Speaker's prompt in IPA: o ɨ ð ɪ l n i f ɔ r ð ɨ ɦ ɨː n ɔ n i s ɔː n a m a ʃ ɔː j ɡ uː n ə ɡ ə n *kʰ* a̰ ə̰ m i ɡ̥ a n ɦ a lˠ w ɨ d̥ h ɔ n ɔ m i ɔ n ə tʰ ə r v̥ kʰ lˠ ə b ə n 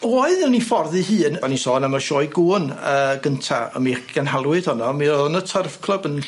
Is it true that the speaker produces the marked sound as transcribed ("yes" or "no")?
no